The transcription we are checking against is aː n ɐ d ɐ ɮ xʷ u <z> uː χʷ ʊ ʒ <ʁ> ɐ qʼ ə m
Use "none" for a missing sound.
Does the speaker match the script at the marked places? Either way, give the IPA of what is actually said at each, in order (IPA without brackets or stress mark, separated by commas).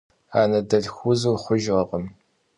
z, ʁ